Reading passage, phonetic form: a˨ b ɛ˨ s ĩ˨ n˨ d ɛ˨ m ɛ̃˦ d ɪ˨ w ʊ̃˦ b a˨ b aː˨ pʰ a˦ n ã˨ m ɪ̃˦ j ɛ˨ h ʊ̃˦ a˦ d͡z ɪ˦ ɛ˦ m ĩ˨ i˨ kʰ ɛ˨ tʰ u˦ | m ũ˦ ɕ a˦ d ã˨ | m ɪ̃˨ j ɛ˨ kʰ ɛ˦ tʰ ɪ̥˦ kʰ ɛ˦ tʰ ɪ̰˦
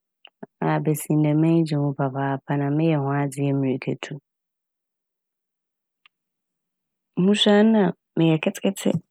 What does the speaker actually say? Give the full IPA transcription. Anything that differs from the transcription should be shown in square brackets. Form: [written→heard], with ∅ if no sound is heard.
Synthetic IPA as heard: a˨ b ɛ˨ s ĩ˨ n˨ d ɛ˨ m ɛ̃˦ [d→d͡ʑ] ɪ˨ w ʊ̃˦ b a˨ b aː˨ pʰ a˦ n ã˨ m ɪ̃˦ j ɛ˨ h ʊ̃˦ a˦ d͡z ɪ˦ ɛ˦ m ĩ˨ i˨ kʰ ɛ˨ tʰ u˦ | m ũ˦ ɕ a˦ [d→n] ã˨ | m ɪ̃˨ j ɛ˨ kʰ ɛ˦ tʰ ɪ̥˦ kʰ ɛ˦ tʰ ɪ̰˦